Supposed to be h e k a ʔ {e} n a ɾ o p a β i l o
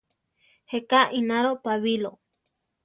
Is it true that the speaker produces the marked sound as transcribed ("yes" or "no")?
no